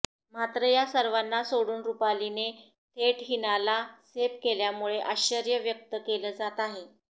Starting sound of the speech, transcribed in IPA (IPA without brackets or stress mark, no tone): m